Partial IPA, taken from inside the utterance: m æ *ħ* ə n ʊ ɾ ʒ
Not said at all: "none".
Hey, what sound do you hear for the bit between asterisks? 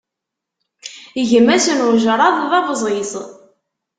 s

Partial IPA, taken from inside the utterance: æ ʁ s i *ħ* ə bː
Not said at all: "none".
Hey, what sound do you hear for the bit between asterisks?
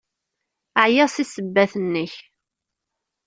s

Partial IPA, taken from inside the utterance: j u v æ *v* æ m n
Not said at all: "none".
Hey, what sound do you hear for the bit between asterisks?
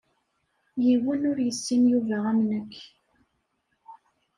ʁ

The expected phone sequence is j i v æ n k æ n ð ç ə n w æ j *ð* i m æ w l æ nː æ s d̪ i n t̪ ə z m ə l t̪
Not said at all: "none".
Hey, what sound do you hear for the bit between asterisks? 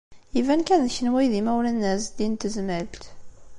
ð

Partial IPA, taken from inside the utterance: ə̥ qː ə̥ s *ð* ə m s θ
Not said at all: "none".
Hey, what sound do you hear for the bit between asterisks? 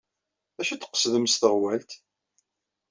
ð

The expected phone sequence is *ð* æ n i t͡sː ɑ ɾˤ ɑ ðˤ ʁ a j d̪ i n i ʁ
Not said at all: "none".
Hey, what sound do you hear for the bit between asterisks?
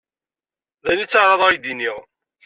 ð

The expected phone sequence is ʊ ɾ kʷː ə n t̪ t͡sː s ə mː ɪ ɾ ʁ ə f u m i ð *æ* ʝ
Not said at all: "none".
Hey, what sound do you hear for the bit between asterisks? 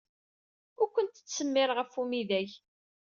æ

